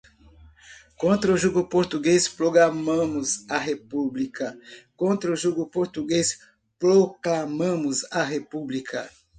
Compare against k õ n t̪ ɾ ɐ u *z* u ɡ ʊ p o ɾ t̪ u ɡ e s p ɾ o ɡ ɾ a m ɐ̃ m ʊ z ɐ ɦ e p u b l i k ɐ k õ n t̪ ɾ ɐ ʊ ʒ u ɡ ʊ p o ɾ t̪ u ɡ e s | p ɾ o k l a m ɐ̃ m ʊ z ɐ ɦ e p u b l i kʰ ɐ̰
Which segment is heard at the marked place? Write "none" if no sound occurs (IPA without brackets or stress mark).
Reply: ʒ